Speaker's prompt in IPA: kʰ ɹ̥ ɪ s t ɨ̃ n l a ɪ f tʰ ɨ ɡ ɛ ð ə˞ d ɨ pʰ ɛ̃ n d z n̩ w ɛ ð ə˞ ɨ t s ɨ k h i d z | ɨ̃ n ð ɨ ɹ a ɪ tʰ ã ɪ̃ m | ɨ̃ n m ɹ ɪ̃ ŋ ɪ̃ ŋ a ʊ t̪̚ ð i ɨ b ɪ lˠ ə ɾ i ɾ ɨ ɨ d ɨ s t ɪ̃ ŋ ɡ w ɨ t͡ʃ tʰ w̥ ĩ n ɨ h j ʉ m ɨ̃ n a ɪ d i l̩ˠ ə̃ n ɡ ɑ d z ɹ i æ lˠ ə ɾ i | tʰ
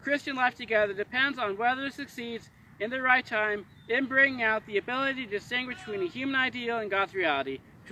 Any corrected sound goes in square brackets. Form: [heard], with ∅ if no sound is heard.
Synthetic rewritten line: kʰ ɹ̥ ɪ s [t͡ʃ] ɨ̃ n l a ɪ f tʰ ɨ ɡ ɛ ð ə˞ d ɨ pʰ ɛ̃ n d z n̩ w ɛ ð ə˞ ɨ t s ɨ k [s] i d z | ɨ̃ n ð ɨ ɹ a ɪ tʰ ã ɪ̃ m | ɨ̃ n [b] ɹ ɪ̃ ŋ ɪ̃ ŋ a ʊ t̪̚ ð i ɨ b ɪ lˠ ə ɾ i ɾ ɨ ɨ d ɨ s t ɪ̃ ŋ ɡ w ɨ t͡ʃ tʰ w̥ ĩ n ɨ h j ʉ m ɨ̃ n a ɪ d i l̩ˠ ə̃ n ɡ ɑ d z ɹ i æ lˠ ə ɾ i | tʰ